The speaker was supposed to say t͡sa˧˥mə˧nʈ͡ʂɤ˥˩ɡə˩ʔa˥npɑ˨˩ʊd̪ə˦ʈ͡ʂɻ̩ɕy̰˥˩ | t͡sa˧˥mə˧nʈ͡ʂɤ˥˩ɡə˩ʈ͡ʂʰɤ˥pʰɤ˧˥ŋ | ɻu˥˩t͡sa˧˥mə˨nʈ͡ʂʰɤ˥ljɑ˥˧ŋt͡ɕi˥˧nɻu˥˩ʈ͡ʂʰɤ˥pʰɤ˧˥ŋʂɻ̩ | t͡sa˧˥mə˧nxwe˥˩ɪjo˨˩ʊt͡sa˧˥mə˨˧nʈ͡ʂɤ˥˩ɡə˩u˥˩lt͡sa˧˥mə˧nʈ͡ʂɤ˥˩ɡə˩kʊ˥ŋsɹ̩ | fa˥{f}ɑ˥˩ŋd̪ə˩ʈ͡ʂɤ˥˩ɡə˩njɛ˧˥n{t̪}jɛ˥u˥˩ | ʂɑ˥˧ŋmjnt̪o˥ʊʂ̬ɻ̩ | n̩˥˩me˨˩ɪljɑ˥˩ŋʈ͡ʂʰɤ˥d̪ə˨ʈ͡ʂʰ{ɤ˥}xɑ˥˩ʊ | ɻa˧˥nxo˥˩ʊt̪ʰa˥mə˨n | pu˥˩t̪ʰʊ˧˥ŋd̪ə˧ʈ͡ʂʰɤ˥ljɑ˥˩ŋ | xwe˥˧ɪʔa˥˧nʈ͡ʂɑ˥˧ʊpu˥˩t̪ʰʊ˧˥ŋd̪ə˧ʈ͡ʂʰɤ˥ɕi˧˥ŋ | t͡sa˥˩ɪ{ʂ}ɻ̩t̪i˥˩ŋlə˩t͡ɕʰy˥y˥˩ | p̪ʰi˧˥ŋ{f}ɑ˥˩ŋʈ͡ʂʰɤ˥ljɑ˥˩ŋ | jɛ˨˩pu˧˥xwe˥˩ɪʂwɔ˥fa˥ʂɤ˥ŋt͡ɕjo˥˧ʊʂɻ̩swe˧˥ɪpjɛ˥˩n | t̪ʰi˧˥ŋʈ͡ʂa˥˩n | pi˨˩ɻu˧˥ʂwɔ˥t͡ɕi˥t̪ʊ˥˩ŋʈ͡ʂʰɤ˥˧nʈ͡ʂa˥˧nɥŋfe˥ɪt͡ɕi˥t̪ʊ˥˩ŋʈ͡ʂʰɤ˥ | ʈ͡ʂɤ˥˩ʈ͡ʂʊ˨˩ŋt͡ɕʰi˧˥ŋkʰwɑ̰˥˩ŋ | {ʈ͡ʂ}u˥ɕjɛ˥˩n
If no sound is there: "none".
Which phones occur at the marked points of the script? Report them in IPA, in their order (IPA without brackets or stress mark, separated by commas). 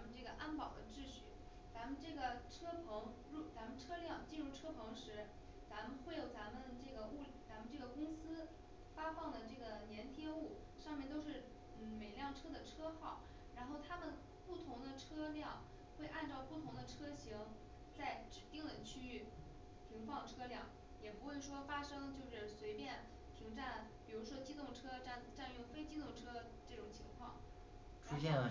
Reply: f, t̪ʰ, ɤ˥, ʈ͡ʂ, f, ʈ͡ʂʰ